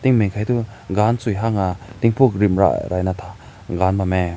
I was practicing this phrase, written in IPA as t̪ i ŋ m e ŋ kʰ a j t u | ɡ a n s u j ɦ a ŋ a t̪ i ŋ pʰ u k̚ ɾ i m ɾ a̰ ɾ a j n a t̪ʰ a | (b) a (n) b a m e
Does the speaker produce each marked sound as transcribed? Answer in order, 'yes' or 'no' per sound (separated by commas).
no, yes